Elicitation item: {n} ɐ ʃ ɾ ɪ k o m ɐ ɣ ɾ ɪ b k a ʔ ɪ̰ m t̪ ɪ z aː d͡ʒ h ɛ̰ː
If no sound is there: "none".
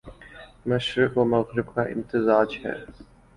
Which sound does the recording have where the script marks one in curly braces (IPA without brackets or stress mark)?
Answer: m